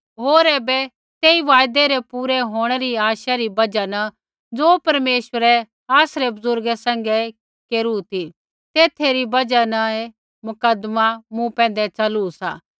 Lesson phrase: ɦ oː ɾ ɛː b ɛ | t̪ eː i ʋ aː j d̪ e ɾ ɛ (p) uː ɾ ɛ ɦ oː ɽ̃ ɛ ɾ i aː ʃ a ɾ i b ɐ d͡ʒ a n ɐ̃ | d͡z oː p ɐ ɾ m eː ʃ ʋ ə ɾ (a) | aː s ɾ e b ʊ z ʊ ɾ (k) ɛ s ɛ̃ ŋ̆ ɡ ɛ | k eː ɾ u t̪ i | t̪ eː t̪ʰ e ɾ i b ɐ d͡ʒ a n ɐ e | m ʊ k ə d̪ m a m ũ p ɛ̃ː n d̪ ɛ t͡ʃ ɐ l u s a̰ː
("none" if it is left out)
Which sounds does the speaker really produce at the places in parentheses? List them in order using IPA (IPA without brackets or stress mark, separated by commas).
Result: p, ɛ, ɡ